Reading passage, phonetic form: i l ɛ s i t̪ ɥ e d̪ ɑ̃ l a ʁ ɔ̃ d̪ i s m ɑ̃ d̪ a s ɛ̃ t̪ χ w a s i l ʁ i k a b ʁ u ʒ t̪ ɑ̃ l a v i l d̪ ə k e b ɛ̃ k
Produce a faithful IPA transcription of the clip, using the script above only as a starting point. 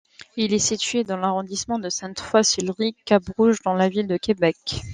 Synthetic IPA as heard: i l ɛ s i t̪ ɥ e d̪ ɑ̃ l a ʁ ɔ̃ d̪ i s m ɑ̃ d̪ ə s ɛ̃ t̪ f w a s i l ʁ i k a b ʁ u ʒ d̪ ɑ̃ l a v i l d̪ ə k e b ɛ k